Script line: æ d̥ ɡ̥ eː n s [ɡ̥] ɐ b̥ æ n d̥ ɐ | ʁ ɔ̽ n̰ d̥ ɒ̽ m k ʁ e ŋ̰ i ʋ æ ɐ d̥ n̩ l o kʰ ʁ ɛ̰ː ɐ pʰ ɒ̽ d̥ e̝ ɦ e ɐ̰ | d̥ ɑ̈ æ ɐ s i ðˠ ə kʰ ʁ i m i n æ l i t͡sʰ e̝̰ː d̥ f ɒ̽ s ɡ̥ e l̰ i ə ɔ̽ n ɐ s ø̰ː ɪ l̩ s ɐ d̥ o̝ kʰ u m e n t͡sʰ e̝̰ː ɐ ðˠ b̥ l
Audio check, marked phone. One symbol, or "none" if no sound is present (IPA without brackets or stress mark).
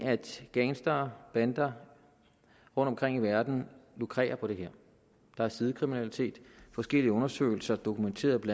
d̥